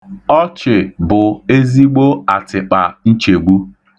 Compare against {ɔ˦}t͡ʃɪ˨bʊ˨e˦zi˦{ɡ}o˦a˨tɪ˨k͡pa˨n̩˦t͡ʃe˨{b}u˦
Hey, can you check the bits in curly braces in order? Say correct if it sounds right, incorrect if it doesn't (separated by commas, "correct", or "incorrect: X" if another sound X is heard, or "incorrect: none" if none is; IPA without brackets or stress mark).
correct, incorrect: ɡ͡b, incorrect: ɡ͡b